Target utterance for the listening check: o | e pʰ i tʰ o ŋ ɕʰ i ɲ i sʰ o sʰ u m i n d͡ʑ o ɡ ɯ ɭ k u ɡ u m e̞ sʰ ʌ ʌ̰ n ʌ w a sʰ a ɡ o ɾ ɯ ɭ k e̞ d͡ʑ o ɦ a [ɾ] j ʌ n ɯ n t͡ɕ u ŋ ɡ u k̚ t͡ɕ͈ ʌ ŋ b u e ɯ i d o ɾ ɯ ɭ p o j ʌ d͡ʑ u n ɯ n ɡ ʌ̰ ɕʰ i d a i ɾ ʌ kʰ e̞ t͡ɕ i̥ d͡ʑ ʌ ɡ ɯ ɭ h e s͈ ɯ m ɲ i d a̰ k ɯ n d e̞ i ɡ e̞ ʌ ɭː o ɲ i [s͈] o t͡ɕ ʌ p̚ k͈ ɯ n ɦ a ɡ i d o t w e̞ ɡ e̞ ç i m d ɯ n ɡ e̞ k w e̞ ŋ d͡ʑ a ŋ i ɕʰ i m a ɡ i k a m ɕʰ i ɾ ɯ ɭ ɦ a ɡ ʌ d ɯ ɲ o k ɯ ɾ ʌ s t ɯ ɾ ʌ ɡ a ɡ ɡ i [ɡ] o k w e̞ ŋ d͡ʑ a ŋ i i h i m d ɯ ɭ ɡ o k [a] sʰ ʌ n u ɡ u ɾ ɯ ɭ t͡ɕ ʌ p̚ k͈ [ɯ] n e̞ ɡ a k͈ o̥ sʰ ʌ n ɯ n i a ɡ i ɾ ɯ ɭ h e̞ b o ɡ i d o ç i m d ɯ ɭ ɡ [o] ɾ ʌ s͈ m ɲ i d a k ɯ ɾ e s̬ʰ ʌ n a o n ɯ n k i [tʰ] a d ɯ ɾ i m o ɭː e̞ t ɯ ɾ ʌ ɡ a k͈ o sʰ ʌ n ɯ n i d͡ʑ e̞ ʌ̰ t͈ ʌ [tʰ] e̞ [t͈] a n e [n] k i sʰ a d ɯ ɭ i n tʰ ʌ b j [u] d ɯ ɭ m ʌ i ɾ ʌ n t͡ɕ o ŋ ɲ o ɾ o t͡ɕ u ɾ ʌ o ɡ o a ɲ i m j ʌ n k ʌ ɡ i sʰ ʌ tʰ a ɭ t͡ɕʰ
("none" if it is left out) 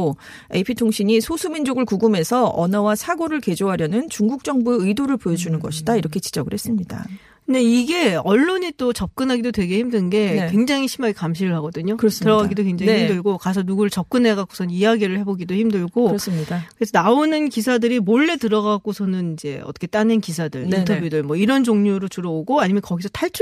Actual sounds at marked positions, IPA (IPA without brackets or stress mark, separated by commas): ɾ, t͈, d, a, ɯ, o, sʰ, kʰ, t͈, n, u